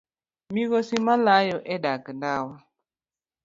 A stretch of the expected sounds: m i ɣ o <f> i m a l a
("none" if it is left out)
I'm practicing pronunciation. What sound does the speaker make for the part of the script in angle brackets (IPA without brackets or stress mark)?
s